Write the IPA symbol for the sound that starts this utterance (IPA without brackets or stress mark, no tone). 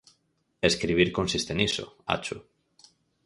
e